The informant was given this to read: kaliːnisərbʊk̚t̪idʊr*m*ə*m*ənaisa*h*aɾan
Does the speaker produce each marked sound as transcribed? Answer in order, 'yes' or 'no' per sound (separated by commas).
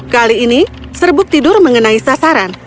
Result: yes, no, no